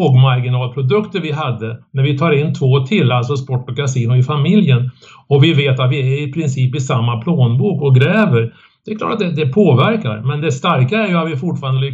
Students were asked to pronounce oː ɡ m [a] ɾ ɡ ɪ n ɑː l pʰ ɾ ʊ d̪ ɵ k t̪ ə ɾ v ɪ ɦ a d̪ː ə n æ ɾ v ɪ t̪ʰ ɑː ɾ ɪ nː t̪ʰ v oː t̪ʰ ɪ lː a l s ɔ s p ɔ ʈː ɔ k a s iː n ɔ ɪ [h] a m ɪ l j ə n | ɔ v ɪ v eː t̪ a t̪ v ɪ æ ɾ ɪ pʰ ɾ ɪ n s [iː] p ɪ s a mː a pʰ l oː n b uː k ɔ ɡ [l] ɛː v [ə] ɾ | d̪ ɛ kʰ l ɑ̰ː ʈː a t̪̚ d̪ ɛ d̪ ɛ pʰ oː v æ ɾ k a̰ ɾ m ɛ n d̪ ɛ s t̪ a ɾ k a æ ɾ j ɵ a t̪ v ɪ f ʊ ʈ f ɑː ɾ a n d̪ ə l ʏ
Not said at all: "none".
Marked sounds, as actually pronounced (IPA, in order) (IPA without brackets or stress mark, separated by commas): a, f, iː, ɾ, ə